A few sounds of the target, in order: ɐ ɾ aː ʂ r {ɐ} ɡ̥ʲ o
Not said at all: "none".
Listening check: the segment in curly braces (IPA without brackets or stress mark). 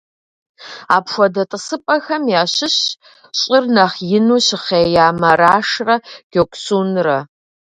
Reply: ɐ